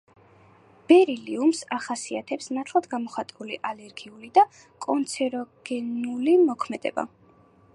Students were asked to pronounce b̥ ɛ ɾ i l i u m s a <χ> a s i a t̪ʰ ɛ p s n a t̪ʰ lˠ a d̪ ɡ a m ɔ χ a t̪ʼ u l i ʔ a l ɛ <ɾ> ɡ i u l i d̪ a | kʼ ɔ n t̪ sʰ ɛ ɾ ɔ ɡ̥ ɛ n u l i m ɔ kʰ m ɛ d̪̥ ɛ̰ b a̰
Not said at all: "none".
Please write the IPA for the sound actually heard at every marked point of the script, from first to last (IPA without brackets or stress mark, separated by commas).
χ, ɾ